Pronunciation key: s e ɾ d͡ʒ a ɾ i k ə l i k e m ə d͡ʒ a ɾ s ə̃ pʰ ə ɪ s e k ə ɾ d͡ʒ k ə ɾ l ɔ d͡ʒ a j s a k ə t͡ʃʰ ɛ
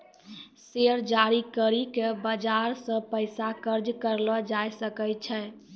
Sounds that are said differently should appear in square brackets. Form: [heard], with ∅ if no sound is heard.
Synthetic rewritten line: s e ɾ d͡ʒ a ɾ i k ə [ɾ] i k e [b] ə d͡ʒ a ɾ s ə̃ [p] ə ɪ s [a] k ə ɾ d͡ʒ k ə ɾ l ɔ d͡ʒ a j s [ə] k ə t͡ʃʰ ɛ